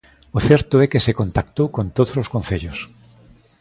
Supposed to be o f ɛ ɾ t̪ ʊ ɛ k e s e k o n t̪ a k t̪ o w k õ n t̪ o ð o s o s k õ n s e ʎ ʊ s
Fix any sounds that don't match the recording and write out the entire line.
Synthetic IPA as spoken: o θ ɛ ɾ t̪ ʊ ɛ k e s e k o n t̪ a k t̪ o w k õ n t̪ o ð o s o s k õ n θ e ʎ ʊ s